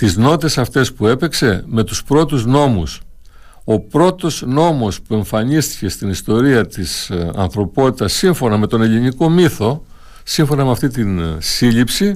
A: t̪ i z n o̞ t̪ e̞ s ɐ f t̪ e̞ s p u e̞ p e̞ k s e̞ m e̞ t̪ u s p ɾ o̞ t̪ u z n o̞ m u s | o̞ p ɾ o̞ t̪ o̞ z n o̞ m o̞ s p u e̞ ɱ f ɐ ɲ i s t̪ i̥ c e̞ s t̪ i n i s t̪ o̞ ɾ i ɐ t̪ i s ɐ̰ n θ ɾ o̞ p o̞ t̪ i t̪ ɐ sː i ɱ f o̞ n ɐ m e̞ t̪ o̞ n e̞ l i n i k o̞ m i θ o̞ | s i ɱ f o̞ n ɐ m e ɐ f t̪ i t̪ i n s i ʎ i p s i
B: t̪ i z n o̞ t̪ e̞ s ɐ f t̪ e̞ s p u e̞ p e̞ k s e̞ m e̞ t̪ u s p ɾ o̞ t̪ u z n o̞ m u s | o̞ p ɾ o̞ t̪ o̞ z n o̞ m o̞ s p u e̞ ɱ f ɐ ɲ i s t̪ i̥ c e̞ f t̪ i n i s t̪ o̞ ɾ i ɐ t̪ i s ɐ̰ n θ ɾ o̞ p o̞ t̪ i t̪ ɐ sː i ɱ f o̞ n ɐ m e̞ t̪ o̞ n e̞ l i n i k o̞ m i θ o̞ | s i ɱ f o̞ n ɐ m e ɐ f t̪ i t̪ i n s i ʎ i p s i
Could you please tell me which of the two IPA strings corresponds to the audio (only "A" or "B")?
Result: A